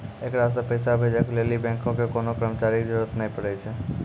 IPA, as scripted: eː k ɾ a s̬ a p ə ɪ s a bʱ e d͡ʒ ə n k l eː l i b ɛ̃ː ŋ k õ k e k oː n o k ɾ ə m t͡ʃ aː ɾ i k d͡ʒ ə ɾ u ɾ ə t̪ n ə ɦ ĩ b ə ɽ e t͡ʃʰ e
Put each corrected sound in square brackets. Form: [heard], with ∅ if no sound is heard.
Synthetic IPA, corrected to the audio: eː k ɾ a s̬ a p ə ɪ s a bʱ e d͡ʒ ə [∅] k l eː l i b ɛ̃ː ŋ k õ k e k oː n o k ɾ ə m t͡ʃ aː ɾ i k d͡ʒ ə ɾ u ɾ ə t̪ n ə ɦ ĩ [p] ə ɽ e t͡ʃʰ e